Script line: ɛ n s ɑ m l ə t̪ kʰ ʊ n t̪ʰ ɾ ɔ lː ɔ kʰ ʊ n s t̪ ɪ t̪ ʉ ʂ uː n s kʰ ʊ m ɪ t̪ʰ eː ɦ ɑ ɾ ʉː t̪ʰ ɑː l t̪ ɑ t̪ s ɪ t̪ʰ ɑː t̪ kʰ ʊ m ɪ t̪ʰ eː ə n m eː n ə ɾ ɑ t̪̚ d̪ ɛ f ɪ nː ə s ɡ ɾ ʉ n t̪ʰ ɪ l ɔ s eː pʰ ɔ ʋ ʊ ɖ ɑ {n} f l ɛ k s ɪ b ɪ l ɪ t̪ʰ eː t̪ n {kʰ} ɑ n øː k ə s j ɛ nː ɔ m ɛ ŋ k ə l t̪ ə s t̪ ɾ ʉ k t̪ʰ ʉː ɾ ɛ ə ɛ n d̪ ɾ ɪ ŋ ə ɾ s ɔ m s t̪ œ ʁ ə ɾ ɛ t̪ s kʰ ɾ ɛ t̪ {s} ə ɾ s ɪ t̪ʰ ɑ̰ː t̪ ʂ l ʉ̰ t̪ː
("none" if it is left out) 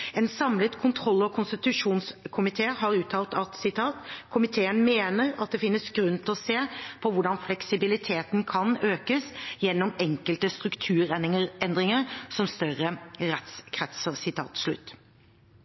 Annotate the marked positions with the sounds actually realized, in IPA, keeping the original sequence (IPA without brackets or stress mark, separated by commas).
n, kʰ, s